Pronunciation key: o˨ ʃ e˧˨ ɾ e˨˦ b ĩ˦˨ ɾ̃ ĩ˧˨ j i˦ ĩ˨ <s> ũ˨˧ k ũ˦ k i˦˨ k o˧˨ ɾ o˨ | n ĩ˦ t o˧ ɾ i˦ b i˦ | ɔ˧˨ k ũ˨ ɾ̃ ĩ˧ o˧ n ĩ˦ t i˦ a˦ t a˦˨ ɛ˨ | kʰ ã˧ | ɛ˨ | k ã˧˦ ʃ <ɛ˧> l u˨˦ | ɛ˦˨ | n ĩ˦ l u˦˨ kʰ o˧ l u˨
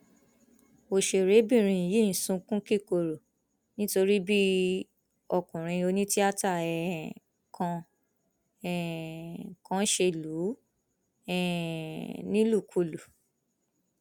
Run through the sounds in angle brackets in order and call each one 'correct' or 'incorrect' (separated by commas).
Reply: correct, incorrect